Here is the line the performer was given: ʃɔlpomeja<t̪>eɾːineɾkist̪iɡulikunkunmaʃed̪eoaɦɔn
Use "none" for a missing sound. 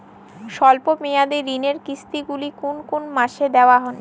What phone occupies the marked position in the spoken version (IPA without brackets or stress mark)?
d̪